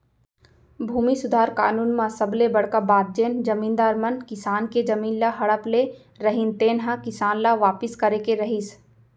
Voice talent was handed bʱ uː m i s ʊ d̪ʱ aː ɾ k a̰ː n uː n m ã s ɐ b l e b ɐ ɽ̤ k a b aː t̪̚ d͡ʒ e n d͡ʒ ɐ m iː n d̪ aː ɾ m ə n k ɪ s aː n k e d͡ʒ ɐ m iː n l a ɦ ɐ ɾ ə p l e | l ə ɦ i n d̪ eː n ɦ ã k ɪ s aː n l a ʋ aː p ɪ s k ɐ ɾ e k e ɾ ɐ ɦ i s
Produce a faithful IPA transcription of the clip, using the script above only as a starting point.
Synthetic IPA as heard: bʱ uː m i s ʊ d̪ʱ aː ɾ k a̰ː n uː n m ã s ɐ b l e b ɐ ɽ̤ k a b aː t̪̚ d͡ʒ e n d͡ʒ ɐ m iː n d̪ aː ɾ m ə n k ɪ s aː n k e d͡ʒ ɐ m iː n l a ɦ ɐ ɽ ə p l e | ɾ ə ɦ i n t̪ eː n ɦ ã k ɪ s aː n l a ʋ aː p ɪ s k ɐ ɾ e k e ɾ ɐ ɦ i s